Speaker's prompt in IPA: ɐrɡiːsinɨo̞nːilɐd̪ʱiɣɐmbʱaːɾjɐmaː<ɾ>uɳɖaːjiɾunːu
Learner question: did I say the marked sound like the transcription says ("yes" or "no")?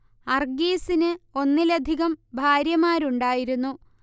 yes